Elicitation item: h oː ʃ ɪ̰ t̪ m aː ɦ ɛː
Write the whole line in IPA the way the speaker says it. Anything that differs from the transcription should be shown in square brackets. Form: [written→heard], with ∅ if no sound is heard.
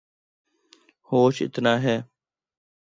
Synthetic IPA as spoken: h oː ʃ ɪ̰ t̪ [m→n] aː ɦ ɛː